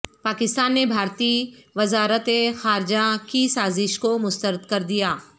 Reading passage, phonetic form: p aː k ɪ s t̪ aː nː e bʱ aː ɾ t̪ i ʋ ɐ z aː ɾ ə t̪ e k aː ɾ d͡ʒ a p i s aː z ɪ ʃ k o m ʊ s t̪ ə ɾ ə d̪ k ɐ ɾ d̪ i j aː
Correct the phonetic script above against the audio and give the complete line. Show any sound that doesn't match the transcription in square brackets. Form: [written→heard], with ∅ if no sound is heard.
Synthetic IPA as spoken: p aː k ɪ s t̪ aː nː e bʱ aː ɾ t̪ i ʋ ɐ z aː ɾ ə t̪ e [k→x] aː ɾ d͡ʒ a [p→k] i s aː z ɪ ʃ k o m ʊ s t̪ ə ɾ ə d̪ k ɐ ɾ d̪ i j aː